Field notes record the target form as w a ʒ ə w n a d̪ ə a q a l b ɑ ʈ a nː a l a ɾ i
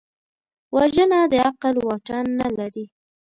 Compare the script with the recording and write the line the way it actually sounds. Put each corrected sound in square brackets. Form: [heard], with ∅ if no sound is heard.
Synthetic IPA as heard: w a ʒ ə [∅] n a d̪ ə a q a l [w] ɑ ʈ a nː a l a ɾ i